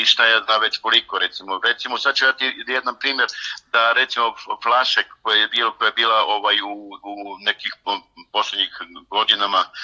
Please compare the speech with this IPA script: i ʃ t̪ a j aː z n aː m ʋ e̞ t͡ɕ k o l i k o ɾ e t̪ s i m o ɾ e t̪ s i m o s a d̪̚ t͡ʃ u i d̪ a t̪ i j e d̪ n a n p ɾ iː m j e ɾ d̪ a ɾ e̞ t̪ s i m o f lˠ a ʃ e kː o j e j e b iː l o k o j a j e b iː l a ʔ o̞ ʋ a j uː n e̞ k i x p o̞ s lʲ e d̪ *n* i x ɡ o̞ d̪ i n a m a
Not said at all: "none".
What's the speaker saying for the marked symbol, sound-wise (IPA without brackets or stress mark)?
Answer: ɲ